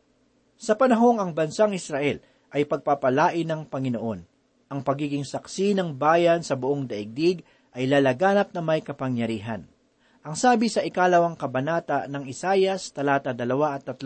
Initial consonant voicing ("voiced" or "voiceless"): voiceless